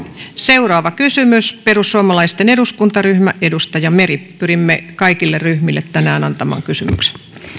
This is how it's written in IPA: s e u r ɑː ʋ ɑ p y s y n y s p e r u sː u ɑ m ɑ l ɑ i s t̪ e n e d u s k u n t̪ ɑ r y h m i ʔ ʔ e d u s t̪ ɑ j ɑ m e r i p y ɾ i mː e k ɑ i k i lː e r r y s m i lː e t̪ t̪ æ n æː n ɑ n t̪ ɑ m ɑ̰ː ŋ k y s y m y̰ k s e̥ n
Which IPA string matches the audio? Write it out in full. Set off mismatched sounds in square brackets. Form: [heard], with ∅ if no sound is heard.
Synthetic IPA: s e u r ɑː ʋ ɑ [k] y s y [m] y s p e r u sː u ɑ m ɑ l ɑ i s t̪ e n e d u s k u n t̪ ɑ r y h m [æ] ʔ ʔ e d u s t̪ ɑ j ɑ m e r i p y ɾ i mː e k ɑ i k i lː e r r y [h] m i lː e t̪ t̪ æ n æː n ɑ n t̪ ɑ m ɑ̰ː ŋ k y s y m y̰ k s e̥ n